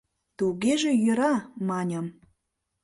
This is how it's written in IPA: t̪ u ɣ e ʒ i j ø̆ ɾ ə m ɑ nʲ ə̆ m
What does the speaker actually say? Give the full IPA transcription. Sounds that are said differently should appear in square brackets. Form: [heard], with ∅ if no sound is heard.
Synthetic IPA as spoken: t̪ u ɣ e ʒ [e] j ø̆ ɾ [ɑ] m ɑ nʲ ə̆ m

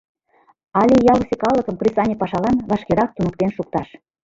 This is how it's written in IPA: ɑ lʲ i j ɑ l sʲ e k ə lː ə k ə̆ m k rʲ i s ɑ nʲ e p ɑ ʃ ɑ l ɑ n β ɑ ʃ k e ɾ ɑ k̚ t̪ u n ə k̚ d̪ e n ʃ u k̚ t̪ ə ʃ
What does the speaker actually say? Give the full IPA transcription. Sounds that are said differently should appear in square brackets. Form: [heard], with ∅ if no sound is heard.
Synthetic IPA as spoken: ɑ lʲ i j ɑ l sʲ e k [ɑ] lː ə k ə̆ m k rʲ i s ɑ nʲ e p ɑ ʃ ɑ l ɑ n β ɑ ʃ k e ɾ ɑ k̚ t̪ u n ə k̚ [t̪] e n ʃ u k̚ t̪ [ɑ] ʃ

